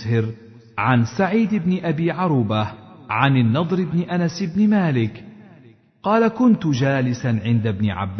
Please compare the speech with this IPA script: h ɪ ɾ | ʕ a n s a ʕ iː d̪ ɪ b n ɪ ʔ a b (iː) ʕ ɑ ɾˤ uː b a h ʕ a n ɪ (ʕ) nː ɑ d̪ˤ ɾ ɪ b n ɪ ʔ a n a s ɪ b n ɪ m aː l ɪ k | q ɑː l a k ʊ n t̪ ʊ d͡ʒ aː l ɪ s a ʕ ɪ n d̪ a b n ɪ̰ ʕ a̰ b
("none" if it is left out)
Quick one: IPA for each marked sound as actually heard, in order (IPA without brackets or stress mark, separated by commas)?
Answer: iː, none